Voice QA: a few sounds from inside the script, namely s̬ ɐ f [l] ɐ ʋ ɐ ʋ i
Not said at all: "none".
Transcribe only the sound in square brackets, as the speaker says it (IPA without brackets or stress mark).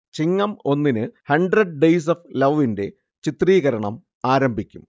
l